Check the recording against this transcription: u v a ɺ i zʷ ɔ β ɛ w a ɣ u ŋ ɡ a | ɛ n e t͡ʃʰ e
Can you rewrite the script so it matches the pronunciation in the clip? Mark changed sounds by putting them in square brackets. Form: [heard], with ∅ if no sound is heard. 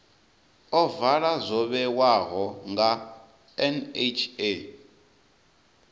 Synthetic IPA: [ɔ] v a ɺ [a] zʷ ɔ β ɛ w a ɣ [ɔ] ŋ ɡ a | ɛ n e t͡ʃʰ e

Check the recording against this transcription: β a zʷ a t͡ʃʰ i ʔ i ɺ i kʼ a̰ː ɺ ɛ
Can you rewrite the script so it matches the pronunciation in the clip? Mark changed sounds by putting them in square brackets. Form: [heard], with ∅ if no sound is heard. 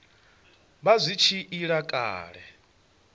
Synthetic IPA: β a zʷ [i] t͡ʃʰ i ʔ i ɺ [a] kʼ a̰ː ɺ ɛ

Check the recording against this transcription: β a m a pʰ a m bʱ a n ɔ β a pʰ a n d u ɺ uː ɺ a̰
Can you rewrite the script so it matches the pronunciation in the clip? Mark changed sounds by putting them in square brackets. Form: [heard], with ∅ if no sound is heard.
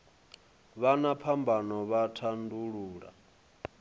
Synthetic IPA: β a [n] a pʰ a m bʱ a n ɔ β a [tʰ] a n d u ɺ uː ɺ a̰

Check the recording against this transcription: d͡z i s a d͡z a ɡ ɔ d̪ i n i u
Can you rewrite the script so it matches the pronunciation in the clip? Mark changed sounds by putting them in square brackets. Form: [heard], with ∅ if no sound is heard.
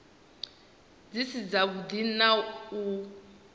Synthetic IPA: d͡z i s [i] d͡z a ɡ [u] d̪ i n [a] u

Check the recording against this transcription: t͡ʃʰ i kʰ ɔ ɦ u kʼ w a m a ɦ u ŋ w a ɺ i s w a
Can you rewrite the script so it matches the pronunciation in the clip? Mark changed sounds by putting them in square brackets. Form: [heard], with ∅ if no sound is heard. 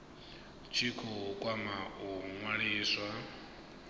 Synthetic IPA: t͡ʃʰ i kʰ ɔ ɦ u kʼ w a m a ɦ u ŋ w a ɺ [iː] s w a

